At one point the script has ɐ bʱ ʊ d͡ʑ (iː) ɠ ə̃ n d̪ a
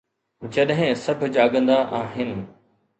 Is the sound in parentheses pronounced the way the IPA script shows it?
no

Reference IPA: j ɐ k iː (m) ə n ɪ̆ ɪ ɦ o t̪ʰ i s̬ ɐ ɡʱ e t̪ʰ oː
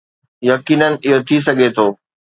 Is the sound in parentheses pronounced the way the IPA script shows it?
no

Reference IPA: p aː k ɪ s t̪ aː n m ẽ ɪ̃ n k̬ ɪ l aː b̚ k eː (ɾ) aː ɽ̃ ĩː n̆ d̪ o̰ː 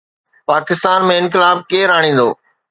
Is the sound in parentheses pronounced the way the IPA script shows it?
yes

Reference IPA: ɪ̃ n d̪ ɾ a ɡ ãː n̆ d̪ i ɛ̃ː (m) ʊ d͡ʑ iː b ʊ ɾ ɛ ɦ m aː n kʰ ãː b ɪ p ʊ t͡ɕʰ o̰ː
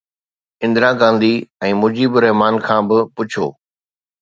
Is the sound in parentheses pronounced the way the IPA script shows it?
yes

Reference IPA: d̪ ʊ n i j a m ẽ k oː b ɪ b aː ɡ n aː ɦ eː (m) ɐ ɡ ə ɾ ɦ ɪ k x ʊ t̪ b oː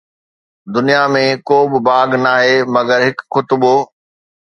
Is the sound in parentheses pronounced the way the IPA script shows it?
yes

